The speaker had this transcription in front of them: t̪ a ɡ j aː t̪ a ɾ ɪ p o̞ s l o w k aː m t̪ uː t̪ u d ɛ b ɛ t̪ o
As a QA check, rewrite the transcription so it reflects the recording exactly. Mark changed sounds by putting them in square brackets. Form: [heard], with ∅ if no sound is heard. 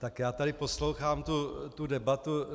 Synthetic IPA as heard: t̪ a [k] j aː t̪ a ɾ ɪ p o̞ s l o w [x] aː m t̪ [u] t̪ u d ɛ b [a] t̪ [u]